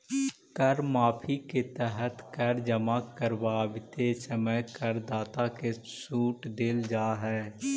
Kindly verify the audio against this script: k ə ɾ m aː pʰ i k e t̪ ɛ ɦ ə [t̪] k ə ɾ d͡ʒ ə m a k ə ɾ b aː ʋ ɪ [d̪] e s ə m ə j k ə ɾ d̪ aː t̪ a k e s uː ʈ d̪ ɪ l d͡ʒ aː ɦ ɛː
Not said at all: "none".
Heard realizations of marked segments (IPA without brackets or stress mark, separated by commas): t̪, t̪